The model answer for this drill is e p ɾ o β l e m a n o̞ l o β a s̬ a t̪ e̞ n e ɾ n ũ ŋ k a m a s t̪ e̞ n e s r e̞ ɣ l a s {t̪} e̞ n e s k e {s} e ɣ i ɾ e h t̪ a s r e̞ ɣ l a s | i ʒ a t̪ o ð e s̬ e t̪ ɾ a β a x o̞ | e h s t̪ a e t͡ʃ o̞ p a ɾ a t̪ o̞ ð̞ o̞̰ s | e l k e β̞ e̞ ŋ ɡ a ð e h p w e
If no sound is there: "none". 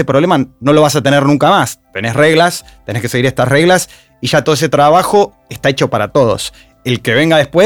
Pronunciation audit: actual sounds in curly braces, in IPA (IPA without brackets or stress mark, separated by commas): t̪, s